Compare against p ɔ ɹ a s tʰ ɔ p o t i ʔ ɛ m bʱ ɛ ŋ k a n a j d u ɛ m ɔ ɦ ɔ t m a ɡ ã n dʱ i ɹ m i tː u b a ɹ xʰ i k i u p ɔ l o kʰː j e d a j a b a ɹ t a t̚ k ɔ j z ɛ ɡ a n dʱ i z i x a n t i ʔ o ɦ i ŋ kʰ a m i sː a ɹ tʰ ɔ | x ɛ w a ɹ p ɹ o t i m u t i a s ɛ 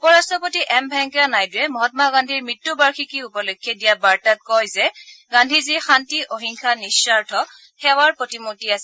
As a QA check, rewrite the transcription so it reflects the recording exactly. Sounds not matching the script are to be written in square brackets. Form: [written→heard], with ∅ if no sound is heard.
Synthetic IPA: p ɔ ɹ a s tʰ ɔ p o t i ʔ ɛ m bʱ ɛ ŋ k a n a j d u ɛ m ɔ ɦ ɔ t m a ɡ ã n dʱ i ɹ m i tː u b a ɹ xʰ i k i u p ɔ l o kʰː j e d [a→i] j a b a ɹ t a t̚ k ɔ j z ɛ ɡ a n dʱ i z i x a n t i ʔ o ɦ i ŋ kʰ a [m→n] i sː a ɹ tʰ ɔ | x ɛ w a ɹ p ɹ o t i m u t i a s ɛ